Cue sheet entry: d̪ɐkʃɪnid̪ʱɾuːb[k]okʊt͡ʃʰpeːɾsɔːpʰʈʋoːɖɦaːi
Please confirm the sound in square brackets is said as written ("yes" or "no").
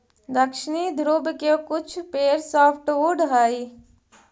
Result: yes